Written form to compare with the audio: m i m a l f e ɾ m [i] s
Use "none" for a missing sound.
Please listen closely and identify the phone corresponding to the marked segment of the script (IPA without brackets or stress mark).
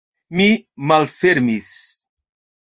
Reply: i